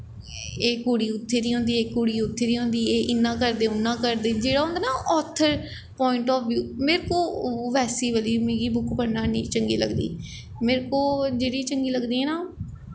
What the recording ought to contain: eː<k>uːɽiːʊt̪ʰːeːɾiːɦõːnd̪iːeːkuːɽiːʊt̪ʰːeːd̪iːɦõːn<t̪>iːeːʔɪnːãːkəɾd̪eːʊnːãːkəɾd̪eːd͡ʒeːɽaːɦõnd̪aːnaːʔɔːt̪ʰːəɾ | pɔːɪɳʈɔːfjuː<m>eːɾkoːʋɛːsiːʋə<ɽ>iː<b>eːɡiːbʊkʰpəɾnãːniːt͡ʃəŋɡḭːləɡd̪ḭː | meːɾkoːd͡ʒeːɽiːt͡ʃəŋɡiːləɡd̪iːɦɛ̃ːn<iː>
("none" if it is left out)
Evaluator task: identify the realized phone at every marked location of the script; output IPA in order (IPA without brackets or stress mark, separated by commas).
k, d̪, m, l, m, aː